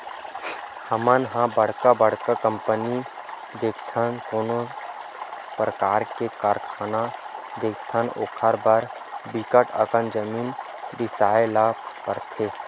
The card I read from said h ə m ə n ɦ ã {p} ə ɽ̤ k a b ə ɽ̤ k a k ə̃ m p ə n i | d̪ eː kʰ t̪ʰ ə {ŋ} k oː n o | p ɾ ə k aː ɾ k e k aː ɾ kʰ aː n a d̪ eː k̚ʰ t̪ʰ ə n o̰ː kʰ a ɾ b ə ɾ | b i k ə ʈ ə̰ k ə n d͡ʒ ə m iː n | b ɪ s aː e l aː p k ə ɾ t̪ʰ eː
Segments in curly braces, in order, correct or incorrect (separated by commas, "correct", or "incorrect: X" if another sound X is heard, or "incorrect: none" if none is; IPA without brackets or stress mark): incorrect: b, incorrect: n